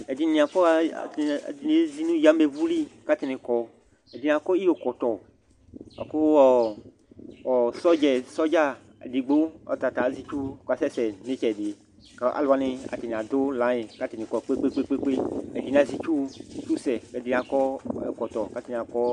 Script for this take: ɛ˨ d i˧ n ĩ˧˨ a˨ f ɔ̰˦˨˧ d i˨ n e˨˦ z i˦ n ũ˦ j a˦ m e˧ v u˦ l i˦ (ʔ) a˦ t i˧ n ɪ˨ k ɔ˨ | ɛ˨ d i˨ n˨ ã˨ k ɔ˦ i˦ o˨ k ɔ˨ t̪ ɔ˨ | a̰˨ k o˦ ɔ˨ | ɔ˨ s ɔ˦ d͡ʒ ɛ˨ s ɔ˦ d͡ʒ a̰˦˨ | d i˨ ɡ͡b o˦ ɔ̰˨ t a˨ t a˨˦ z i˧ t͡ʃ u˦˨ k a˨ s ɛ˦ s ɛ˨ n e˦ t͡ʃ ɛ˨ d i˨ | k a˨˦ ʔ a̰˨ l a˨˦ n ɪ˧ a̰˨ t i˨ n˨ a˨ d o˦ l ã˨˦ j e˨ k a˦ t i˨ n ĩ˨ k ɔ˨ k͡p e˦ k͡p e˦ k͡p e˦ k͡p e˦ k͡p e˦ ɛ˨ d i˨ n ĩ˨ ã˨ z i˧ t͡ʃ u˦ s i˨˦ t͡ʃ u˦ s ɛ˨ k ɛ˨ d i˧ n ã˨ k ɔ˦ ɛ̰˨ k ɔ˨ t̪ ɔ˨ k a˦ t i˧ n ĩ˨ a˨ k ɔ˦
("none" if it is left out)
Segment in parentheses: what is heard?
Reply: k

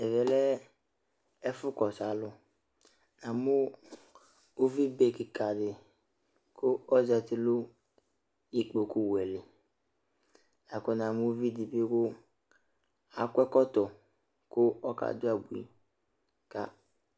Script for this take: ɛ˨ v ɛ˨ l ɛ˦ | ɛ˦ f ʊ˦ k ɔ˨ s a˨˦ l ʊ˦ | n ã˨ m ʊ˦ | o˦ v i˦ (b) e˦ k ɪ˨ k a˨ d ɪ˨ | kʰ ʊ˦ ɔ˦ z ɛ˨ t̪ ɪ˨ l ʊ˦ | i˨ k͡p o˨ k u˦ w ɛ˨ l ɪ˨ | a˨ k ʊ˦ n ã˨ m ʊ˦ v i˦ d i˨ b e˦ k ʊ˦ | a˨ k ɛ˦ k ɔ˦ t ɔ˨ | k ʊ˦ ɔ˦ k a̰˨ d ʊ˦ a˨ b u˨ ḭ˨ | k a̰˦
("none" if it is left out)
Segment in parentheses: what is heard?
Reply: b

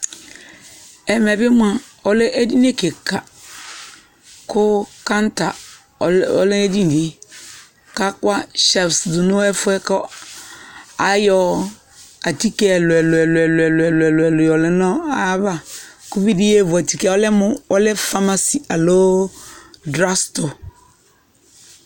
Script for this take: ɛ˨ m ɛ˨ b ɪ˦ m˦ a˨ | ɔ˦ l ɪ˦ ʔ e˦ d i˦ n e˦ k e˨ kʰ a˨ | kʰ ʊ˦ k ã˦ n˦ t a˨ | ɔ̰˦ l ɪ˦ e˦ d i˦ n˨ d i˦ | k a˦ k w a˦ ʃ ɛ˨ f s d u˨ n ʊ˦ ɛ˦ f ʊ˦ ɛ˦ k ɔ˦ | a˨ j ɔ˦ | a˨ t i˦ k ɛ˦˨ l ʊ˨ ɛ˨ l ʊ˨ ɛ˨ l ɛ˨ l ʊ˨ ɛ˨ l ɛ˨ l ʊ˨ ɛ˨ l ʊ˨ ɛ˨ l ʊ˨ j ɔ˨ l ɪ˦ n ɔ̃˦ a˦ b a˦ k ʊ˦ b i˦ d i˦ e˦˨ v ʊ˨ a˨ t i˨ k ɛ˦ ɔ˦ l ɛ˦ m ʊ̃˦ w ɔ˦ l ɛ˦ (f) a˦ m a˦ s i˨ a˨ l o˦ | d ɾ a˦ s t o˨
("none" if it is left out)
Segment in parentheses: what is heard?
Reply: f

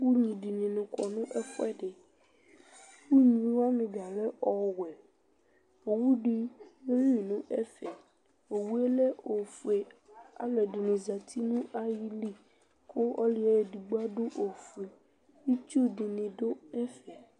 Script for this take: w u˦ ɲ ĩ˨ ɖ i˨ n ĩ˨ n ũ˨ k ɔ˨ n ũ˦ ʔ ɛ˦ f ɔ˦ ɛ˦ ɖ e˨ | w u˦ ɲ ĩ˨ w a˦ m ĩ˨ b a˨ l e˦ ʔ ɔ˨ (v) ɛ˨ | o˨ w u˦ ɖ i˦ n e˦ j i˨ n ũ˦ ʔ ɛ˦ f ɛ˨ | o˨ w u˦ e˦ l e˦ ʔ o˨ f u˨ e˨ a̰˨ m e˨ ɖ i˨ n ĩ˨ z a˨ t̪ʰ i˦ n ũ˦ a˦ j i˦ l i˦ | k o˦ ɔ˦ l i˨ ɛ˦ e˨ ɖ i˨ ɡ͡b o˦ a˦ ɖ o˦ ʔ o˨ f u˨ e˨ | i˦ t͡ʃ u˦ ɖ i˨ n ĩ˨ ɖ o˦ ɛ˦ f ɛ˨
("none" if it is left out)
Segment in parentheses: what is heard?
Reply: w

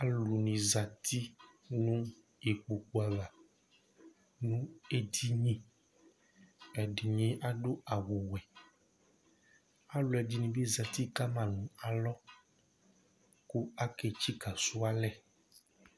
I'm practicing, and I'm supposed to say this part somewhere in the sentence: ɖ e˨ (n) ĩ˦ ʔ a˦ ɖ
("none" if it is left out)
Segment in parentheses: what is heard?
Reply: ɲ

